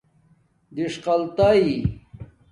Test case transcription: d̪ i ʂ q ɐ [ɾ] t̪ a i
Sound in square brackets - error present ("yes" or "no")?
yes